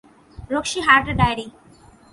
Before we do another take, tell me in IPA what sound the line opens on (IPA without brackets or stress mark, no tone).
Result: ɾ